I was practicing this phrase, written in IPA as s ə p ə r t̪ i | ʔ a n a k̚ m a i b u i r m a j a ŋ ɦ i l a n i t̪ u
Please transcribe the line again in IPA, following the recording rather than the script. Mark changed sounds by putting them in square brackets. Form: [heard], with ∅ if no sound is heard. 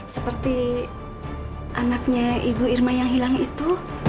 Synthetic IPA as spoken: s ə p ə r t̪ i | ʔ a n a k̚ [ɲ] a i b u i r m a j a ŋ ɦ i l a [ŋ] i t̪ u